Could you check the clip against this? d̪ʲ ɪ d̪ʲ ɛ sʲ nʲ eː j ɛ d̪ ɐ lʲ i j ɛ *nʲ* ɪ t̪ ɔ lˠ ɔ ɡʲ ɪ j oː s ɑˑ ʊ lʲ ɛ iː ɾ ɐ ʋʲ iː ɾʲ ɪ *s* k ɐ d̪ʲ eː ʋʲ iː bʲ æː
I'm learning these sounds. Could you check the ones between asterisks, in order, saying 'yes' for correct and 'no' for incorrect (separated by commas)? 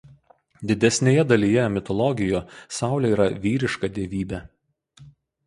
no, no